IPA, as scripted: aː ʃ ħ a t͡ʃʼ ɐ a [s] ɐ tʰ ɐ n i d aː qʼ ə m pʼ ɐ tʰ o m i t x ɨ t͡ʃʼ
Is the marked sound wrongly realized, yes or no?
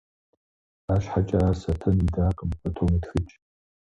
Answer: no